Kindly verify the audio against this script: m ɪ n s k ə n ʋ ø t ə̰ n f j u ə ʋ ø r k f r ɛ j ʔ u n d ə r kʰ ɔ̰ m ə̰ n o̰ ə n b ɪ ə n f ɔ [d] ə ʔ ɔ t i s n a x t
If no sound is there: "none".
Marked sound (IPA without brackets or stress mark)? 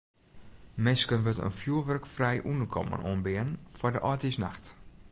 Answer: d